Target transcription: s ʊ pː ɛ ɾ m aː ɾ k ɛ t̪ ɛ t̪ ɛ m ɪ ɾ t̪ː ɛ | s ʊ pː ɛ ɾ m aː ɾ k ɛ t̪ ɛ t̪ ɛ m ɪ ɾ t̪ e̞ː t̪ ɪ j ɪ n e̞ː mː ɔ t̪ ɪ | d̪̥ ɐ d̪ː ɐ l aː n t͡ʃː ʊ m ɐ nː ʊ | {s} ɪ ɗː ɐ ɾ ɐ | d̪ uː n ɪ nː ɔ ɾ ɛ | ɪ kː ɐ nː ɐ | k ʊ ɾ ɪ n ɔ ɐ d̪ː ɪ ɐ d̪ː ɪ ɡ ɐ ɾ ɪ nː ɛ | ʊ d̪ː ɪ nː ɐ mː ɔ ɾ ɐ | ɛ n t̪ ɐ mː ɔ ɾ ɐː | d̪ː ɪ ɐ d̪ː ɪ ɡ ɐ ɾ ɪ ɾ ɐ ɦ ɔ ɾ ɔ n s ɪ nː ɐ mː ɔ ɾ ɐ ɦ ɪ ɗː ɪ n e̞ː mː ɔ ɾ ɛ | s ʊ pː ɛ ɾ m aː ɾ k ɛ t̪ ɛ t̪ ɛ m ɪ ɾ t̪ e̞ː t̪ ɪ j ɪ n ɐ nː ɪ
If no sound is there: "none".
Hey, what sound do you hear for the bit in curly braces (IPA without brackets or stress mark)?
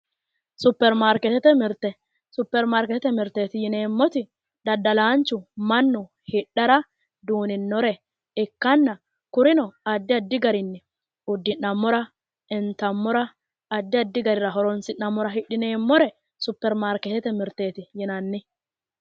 h